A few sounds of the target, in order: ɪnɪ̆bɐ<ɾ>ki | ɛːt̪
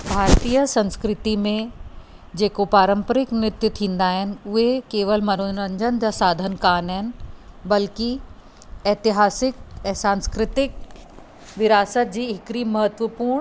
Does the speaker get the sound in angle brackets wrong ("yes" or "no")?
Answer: yes